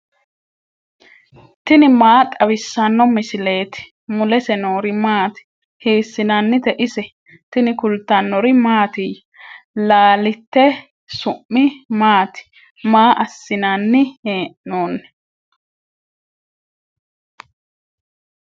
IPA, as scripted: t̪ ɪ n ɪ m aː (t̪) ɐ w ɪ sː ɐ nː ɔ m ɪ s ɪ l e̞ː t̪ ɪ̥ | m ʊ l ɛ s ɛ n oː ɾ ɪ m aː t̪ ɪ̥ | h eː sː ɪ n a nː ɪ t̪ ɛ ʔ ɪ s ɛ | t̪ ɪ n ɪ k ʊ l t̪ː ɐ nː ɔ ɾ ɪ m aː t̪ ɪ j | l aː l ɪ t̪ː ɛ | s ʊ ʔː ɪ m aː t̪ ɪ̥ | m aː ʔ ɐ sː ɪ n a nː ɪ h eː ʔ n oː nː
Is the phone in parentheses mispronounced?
yes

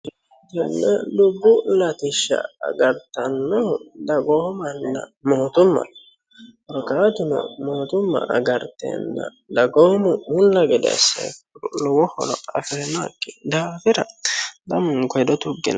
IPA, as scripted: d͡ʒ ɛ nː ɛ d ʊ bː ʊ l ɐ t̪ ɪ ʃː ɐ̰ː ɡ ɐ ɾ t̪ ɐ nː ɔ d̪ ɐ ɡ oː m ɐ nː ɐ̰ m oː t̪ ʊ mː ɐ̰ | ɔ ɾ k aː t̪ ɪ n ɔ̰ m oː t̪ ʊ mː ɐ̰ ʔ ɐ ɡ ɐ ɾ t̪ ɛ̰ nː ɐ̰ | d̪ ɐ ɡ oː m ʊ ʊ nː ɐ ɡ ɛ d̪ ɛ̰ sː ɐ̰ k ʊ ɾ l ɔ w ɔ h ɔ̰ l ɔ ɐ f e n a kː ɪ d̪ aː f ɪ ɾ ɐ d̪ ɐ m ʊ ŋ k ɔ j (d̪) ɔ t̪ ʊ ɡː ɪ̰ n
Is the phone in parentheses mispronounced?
no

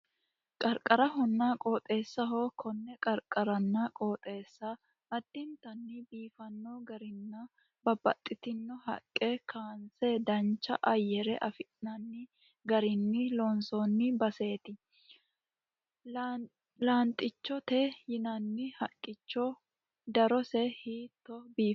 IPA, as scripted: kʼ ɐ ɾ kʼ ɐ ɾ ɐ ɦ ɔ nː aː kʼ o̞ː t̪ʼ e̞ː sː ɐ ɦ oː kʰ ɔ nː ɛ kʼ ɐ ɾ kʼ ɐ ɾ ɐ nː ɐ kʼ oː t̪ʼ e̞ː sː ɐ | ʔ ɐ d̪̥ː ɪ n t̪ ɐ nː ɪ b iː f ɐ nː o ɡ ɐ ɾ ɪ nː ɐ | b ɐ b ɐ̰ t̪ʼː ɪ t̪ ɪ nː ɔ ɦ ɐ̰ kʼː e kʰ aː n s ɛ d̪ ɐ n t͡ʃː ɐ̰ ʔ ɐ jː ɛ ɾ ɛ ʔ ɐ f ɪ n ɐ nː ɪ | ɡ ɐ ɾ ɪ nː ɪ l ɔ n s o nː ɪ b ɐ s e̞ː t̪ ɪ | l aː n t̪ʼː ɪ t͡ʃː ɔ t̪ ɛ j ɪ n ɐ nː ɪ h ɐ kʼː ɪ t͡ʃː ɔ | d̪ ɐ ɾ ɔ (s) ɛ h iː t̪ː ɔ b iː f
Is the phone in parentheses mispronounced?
no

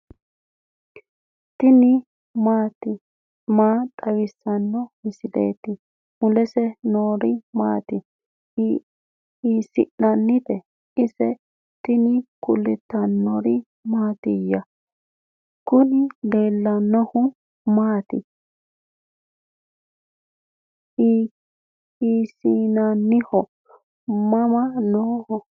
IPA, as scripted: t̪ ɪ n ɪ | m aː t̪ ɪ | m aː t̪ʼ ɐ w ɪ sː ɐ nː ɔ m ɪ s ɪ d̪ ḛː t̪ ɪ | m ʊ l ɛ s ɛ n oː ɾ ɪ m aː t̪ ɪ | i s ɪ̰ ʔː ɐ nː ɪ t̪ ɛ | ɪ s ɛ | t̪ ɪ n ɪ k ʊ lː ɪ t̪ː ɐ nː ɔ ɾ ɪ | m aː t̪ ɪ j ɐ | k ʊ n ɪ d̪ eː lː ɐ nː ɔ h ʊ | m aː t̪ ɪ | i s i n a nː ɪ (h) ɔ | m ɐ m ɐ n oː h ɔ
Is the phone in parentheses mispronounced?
no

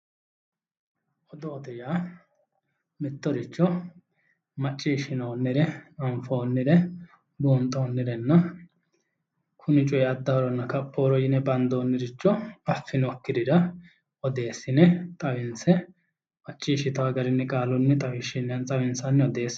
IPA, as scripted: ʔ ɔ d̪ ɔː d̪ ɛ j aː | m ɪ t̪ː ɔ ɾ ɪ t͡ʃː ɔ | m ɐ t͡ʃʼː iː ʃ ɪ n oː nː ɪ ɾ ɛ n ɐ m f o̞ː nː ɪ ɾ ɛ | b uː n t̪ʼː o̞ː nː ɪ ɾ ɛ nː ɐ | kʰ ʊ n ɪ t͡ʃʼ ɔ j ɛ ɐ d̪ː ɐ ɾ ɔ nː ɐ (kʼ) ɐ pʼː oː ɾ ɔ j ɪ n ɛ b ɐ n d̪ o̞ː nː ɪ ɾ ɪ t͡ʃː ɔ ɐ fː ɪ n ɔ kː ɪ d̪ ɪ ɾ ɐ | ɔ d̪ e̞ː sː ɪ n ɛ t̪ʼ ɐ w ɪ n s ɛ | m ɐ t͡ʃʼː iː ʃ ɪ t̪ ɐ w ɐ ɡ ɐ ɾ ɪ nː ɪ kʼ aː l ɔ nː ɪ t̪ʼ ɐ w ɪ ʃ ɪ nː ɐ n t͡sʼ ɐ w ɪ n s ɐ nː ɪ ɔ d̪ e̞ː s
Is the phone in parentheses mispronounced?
yes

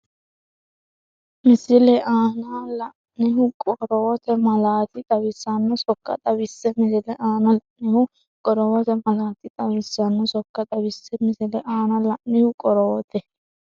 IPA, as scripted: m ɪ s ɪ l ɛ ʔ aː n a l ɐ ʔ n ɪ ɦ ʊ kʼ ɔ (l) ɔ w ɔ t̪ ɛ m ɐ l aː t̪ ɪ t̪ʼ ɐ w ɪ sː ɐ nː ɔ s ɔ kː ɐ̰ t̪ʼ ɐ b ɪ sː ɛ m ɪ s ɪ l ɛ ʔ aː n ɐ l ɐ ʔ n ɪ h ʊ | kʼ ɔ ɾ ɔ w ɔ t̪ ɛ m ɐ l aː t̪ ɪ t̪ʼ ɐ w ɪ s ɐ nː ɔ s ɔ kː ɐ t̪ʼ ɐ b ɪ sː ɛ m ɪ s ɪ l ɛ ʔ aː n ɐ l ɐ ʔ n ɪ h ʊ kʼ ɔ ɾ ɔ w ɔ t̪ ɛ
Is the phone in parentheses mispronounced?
yes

